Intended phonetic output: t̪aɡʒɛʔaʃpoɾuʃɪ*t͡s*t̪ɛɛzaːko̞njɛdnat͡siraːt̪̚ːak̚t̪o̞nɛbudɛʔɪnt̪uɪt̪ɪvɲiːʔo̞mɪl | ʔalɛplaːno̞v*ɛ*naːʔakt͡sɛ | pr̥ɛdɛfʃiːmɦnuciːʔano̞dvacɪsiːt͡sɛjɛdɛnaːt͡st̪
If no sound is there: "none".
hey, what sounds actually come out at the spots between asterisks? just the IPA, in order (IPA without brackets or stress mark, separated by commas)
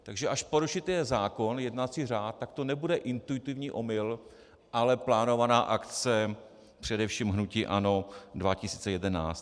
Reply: none, a